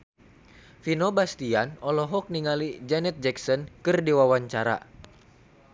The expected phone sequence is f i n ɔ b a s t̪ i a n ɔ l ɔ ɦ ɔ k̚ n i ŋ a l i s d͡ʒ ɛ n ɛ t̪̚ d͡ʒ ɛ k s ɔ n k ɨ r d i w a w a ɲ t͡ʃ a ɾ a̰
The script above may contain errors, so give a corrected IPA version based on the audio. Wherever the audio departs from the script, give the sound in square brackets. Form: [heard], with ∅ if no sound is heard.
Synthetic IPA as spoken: f i n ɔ b a s t̪ i a n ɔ l ɔ ɦ ɔ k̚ n i ŋ a l i [∅] d͡ʒ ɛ n ɛ t̪̚ d͡ʒ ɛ k s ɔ n k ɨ r d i w a w a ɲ t͡ʃ a ɾ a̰